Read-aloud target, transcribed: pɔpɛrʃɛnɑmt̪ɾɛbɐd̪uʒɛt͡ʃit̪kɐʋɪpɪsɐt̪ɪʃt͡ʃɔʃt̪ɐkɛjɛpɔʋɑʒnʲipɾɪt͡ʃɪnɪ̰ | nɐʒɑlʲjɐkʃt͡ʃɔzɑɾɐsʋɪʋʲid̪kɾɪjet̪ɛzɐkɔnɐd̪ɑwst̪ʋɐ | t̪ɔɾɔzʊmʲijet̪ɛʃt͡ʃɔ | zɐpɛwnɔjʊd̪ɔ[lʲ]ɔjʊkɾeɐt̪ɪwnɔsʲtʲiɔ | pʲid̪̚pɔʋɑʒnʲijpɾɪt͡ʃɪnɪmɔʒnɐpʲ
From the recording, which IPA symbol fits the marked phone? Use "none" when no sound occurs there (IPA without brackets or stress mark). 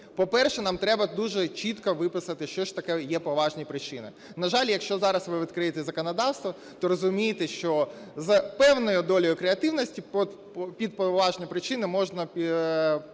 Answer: lʲ